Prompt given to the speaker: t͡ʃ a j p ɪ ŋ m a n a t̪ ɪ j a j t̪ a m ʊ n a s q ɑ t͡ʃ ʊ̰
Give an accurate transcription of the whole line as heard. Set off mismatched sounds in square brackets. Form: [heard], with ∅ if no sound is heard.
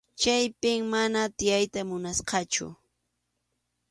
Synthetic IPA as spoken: t͡ʃ a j p ɪ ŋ m a n a t̪ ɪ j a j t̪ a m ʊ n a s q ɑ t͡ʃ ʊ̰